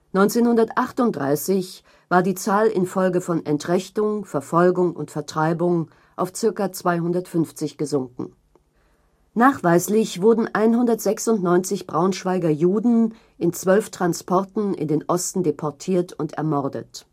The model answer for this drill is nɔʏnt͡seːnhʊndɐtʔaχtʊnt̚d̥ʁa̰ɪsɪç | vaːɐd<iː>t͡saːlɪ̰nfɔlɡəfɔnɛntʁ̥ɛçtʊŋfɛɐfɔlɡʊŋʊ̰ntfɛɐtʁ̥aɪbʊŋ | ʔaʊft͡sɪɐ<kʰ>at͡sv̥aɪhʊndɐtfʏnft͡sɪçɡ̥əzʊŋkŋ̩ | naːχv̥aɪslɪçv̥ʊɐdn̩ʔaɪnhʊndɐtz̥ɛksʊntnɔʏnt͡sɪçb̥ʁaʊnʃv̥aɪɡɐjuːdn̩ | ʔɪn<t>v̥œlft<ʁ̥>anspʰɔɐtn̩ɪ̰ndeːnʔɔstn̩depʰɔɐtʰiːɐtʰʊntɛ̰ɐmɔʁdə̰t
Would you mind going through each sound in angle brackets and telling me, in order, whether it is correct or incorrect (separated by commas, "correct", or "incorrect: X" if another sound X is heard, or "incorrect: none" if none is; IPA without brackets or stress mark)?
correct, incorrect: k, incorrect: t͡s, correct